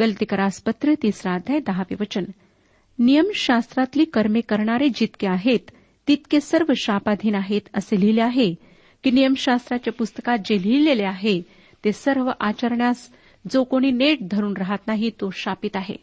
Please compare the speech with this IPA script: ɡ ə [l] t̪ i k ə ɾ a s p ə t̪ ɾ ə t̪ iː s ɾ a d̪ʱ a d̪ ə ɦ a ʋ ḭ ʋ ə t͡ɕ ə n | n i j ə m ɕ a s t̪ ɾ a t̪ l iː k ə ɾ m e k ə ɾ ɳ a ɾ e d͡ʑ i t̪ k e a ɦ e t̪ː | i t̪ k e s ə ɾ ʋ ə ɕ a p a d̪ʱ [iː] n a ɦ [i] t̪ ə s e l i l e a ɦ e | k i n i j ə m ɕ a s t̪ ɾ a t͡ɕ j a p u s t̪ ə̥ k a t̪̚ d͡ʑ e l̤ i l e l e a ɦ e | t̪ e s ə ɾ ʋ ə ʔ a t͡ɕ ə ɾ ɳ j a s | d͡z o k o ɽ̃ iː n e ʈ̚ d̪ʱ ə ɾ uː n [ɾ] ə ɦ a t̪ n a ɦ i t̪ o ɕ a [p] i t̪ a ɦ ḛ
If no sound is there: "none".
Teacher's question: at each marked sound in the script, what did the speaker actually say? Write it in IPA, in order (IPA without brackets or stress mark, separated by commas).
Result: l, iː, e, ɾ, p